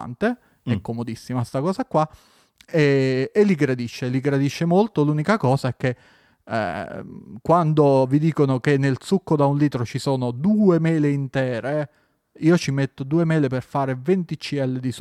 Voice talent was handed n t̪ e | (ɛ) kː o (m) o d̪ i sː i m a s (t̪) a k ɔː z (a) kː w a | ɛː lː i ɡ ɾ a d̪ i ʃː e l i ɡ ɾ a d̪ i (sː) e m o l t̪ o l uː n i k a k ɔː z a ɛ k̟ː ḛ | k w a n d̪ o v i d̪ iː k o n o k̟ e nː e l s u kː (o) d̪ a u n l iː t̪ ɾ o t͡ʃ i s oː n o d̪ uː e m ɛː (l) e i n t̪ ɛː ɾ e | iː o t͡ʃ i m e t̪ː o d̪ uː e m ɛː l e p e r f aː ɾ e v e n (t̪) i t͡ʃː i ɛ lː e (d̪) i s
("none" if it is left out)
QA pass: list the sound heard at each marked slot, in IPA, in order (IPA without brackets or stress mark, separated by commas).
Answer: ɛ, m, t̪, a, ʃː, o, l, t̪, d̪